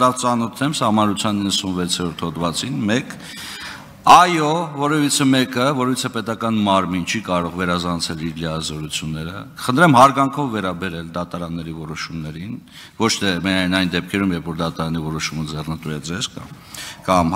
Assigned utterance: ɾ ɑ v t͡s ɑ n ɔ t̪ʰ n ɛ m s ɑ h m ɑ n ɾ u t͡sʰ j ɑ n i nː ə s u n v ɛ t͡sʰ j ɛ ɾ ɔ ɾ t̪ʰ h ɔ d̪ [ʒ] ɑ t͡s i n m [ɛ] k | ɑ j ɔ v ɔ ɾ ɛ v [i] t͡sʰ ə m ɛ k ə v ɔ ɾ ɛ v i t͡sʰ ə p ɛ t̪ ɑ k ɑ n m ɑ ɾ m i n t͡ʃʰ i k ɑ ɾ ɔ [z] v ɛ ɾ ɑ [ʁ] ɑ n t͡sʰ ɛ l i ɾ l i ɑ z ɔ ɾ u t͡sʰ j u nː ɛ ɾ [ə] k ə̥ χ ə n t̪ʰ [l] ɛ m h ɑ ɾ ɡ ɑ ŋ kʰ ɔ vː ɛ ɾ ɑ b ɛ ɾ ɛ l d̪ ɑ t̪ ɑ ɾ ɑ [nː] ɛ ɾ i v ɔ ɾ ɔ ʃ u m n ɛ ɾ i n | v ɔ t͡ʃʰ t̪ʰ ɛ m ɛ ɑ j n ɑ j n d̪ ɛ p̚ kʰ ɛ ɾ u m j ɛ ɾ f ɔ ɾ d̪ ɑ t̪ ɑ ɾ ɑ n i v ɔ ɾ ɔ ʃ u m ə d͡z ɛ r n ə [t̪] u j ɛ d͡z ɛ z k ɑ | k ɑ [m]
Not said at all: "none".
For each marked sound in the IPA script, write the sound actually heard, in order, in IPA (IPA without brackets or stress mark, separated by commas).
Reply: v, ɛ, i, ʁ, z, ə, ɾ, nː, t̪, m